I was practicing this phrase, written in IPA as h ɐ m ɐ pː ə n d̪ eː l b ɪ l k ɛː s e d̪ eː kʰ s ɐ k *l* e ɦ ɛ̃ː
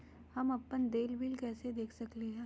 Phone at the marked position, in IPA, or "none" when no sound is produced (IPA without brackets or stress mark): l